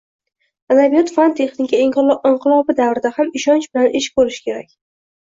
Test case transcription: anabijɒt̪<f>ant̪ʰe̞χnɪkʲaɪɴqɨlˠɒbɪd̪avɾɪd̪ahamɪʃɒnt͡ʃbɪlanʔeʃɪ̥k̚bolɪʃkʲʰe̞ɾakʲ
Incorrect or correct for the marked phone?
correct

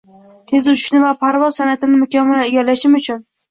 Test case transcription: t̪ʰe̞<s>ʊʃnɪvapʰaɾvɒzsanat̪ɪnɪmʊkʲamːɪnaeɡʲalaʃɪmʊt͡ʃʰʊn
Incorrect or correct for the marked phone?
incorrect: z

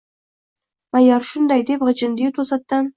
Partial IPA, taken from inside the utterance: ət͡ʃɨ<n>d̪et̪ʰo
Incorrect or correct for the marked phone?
correct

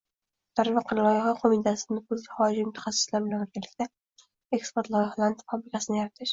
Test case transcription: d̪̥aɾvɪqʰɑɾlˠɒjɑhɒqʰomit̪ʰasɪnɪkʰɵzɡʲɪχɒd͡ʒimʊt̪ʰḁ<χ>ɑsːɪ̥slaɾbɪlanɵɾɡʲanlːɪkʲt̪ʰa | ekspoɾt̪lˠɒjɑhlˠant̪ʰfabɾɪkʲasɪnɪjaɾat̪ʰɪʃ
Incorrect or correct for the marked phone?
correct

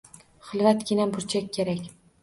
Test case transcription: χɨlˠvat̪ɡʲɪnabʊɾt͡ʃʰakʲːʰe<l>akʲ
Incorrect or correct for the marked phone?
incorrect: ɾ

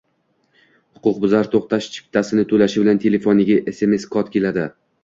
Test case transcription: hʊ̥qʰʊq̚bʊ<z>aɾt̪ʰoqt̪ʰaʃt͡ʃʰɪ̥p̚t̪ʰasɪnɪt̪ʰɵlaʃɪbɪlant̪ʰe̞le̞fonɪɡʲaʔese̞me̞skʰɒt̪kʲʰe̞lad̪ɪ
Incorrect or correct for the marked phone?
correct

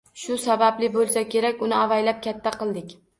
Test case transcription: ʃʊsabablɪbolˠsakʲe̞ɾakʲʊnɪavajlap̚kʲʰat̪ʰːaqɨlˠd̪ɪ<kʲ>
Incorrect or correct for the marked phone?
correct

